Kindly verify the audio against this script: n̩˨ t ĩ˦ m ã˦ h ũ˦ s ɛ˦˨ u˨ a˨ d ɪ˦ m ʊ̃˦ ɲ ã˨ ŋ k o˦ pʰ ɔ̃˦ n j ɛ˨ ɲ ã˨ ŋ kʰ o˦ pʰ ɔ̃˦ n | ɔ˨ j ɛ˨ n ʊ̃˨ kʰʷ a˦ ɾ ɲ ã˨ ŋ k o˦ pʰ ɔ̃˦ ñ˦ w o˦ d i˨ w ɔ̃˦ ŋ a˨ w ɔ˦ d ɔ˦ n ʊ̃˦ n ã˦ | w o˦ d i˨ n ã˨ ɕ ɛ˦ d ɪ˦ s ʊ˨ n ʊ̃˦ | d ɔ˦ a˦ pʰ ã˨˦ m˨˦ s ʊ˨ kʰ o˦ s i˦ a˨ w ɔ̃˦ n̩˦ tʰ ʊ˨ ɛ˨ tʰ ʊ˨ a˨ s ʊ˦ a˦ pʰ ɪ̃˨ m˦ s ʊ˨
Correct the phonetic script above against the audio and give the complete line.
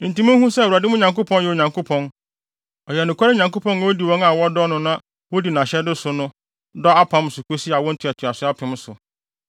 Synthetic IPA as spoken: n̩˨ t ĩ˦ m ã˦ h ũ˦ s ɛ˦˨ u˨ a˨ d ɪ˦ m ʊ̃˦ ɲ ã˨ ŋ k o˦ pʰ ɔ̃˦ n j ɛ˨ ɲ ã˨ ŋ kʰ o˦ pʰ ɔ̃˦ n | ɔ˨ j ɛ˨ n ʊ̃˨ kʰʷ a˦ ɾ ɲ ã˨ ŋ k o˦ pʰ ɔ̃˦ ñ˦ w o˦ d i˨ w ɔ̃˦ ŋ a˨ w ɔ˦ d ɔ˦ n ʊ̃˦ n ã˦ | w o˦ d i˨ n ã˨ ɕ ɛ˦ d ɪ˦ s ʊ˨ n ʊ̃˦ | d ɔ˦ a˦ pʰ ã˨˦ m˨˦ s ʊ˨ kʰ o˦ s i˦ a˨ w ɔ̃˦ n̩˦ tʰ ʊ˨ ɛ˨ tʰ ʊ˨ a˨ s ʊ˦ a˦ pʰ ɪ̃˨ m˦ s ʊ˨